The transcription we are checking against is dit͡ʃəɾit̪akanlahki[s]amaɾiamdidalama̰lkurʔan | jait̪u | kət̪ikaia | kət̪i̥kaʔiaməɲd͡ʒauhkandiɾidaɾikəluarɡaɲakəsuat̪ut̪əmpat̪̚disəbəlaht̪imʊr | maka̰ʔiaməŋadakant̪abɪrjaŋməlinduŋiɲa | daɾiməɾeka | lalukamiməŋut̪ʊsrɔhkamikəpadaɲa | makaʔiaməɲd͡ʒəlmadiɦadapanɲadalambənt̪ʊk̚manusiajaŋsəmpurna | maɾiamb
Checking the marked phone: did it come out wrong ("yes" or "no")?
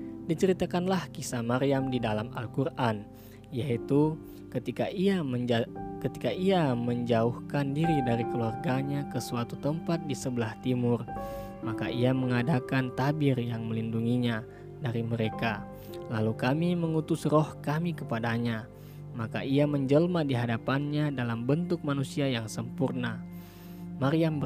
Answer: no